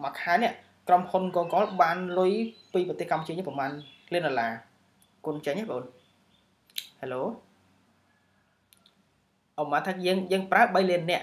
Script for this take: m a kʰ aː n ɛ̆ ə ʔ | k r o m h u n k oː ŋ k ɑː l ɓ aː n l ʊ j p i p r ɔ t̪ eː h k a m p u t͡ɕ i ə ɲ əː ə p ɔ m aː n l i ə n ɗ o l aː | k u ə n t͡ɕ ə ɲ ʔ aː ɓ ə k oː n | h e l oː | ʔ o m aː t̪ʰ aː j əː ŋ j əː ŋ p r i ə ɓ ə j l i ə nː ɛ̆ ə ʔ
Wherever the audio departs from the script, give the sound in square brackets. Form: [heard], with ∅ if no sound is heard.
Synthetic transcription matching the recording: m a kʰ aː n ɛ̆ ə ʔ | k r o m h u n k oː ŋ k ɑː l ɓ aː n l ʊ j p [iː] p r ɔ t̪ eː h k a m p u t͡ɕ i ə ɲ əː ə p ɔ m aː n l i ə n ɗ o l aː | k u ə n t͡ɕ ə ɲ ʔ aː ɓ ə [ʔ] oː n | h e l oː | ʔ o m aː t̪ʰ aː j əː ŋ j əː ŋ p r [a] ə ɓ ə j l i ə nː ɛ̆ ə ʔ